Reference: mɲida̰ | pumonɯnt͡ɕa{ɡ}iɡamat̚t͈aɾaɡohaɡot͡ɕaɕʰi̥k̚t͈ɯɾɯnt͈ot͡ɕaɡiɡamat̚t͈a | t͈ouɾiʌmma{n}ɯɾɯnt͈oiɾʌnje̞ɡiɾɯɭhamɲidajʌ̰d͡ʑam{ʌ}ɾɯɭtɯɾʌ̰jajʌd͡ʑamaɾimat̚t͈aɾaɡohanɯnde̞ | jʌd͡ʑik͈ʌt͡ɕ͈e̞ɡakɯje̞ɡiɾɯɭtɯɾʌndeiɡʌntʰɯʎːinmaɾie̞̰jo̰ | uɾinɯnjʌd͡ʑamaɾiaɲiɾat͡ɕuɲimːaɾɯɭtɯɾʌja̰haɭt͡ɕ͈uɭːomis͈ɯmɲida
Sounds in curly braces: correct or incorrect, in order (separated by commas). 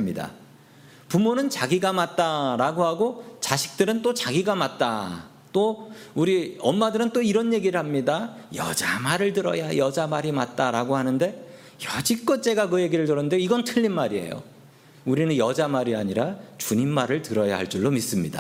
correct, incorrect, incorrect